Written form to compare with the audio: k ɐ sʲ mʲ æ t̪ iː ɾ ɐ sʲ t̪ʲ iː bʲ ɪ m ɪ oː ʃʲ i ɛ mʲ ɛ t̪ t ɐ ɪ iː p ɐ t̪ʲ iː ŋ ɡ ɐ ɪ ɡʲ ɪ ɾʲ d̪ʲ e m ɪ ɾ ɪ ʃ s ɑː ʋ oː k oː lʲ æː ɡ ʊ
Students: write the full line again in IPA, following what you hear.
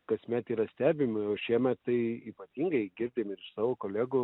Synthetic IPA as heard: k ɐ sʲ mʲ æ t̪ iː ɾ ɐ sʲ t̪ʲ æː bʲ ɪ m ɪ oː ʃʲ i ɛ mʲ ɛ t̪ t ɐ ɪ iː p ɐ t̪ʲ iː ŋ ɡ ɐ ɪ ɡʲ ɪ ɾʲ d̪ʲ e m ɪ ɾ ɪ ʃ s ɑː ʋ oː k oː lʲ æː ɡ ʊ